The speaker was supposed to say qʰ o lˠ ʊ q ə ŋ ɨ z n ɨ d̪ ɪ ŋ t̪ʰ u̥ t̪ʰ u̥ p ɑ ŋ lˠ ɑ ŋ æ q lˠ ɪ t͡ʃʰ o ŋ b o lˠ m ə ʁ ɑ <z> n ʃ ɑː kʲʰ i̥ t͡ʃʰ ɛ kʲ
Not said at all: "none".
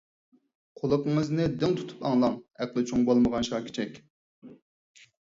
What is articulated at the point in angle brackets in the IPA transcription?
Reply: none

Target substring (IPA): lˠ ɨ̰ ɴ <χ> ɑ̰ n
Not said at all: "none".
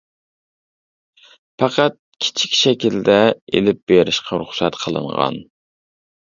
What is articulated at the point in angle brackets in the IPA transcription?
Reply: ʁ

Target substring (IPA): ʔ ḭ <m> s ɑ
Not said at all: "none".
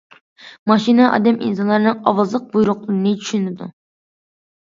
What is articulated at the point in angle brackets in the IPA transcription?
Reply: n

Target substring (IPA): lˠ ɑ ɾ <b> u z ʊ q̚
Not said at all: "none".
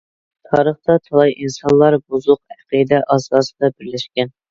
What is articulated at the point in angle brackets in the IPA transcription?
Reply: b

